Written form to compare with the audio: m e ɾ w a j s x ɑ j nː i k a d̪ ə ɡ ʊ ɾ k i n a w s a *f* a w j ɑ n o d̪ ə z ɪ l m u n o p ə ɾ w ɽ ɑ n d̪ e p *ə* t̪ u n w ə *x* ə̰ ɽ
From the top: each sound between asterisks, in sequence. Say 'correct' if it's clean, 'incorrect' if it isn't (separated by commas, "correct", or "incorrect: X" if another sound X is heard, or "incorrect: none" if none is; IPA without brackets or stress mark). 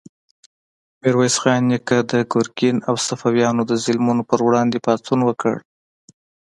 correct, incorrect: ɑ, incorrect: k